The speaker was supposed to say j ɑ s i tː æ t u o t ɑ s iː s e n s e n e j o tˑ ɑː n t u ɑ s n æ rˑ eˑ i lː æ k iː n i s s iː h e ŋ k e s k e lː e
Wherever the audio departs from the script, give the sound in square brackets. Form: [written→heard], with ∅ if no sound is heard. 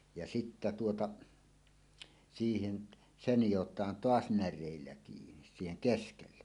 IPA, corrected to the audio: j ɑ s i tː æ t u o t ɑ s iː [s→h] e n s e n [e→i] j o tˑ ɑː n t [u→o] ɑ s n æ rˑ eˑ i lː æ k iː n i s s iː h e ŋ k e s k e lː e